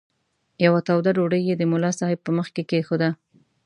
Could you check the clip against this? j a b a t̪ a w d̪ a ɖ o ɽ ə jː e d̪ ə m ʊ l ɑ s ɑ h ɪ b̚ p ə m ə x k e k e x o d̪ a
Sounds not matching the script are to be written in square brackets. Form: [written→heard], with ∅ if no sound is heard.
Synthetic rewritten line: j a [b→w] a t̪ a w d̪ a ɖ o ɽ ə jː e d̪ ə m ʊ l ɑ s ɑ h ɪ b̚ p ə m ə x k e k e x o d̪ a